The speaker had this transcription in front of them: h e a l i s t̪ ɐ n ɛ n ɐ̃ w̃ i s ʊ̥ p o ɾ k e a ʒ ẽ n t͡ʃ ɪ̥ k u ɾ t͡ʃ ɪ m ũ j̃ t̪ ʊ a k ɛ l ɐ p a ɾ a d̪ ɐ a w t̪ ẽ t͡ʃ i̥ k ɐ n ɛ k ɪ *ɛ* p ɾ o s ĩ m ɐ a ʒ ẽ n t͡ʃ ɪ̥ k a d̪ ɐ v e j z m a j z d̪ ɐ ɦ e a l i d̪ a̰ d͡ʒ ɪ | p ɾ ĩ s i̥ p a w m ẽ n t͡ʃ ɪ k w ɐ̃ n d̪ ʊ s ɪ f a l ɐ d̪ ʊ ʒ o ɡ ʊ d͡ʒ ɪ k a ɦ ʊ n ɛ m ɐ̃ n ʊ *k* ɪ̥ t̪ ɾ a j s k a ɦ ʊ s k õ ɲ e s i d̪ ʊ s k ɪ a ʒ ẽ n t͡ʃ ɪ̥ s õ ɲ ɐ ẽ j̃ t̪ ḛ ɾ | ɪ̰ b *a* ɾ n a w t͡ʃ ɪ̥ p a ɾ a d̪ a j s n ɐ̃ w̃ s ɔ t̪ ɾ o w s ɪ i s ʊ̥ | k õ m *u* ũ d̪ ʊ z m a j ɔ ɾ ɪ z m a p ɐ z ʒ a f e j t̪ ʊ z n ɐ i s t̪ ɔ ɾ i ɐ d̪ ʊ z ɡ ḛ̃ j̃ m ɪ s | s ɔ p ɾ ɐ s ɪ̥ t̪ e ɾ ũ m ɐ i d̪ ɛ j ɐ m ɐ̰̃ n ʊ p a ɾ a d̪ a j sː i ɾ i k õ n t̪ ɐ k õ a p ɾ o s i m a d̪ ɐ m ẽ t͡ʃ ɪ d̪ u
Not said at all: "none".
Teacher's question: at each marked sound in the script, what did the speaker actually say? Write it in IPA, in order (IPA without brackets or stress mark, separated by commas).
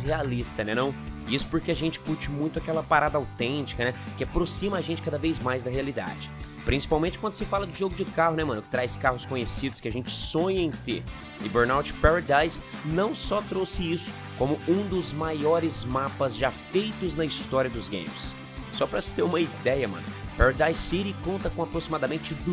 a, k, e, ʊ